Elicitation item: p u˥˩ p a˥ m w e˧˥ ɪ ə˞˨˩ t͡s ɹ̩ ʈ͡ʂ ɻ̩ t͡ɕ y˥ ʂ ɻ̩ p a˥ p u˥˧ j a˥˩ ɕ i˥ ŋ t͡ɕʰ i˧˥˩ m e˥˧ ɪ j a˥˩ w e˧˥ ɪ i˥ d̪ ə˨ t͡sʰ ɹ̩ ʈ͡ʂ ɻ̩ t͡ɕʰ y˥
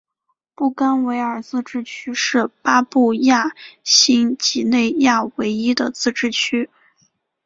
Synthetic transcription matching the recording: p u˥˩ k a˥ n w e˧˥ ɪ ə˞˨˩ t͡s ɹ̩ ʈ͡ʂ ɻ̩ t͡ɕʰ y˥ ʂ ɻ̩ p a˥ p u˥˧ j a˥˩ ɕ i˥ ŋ t͡ɕ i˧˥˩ n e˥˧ ɪ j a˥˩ w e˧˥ ɪ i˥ d̪ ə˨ t͡s ɹ̩ ʈ͡ʂ ɻ̩ t͡ɕʰ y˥